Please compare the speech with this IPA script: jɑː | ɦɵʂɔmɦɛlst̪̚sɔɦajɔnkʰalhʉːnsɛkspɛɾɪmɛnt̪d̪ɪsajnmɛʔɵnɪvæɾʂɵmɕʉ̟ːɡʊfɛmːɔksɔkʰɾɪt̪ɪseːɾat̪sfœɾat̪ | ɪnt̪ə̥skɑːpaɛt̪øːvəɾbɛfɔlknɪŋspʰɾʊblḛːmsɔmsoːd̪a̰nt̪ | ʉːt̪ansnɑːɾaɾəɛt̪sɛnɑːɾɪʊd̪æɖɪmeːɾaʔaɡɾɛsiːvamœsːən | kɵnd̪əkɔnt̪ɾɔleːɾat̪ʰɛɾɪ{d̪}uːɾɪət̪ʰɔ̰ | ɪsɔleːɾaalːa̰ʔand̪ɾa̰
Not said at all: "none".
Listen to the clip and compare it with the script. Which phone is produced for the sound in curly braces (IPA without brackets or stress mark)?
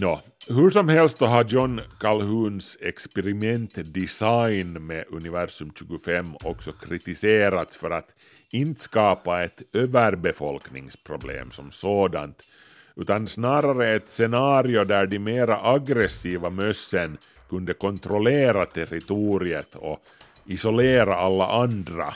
t̪